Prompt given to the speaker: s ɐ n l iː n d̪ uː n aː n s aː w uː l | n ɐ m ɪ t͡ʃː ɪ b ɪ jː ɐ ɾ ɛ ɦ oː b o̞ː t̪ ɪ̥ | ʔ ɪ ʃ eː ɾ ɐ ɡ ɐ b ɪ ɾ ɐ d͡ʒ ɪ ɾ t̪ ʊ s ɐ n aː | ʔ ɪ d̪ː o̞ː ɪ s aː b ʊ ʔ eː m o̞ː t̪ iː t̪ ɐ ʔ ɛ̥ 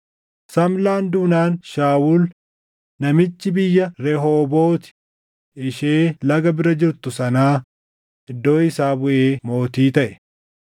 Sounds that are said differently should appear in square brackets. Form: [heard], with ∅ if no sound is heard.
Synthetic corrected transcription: s ɐ [m] l [aː] n d̪ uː n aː n [ʃ] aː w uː l | n ɐ m ɪ t͡ʃː ɪ b ɪ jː ɐ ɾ ɛ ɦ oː b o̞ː t̪ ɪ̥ | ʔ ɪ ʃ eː [l] ɐ ɡ ɐ b ɪ ɾ ɐ d͡ʒ ɪ ɾ t̪ ʊ s ɐ n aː | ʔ ɪ d̪ː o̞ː ɪ s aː b ʊ ʔ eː m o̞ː t̪ iː t̪ ɐ ʔ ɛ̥